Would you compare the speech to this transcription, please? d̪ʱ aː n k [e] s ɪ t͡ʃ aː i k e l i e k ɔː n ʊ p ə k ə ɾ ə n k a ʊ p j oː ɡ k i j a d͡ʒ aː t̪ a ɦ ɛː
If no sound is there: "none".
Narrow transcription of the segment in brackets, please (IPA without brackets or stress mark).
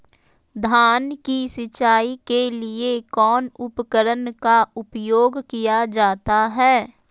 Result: i